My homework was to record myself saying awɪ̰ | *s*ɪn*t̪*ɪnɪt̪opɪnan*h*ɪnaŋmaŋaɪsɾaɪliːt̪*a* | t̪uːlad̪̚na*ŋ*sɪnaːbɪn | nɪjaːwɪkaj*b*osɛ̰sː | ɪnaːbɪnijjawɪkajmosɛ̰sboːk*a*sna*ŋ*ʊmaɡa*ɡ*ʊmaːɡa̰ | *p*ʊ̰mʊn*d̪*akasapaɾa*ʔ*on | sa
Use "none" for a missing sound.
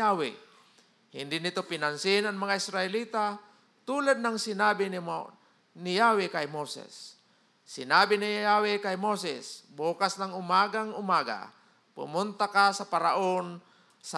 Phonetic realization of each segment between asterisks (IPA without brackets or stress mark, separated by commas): h, d̪, s, a, ŋ, m, a, ŋ, ŋ, p, t̪, ʔ